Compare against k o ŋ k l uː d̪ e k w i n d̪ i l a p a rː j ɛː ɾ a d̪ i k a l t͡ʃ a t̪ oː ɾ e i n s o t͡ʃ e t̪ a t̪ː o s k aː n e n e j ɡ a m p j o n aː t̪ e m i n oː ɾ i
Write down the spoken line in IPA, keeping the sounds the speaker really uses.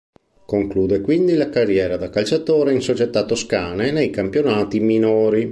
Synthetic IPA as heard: k o ŋ k l uː d̪ e k w i n d̪ i l a k a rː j ɛː ɾ a d̪ a k a l t͡ʃ a t̪ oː ɾ e i n s o t͡ʃ e t̪ a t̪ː o s k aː n e n e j k a m p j o n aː t̪ i m i n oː ɾ i